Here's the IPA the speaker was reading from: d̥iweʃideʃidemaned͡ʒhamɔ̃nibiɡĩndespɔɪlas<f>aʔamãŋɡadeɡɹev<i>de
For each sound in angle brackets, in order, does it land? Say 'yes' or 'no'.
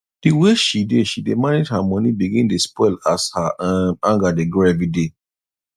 no, yes

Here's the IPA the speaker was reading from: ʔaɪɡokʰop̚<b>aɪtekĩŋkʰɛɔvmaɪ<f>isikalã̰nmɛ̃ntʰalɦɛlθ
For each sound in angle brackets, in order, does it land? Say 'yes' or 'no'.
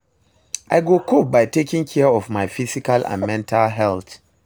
yes, yes

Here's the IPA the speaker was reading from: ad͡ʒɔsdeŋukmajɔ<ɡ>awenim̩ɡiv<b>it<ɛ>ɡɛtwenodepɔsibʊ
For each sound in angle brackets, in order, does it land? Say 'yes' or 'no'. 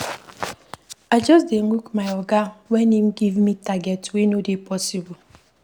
yes, no, no

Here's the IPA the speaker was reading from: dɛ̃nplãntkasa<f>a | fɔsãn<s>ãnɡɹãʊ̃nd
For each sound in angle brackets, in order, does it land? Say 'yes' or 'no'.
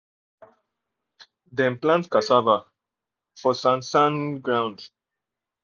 no, yes

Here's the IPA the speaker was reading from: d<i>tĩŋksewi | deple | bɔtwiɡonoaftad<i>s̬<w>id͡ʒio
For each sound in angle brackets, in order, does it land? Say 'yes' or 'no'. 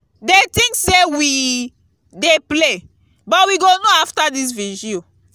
no, yes, no

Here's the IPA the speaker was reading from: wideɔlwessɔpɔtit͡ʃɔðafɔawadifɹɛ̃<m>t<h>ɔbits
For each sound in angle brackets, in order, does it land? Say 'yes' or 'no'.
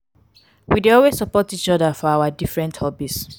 no, yes

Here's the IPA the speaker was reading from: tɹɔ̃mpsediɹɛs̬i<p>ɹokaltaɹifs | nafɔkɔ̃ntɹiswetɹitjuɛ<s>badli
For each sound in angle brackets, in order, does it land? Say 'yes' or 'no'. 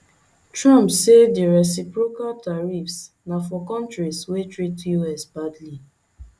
yes, yes

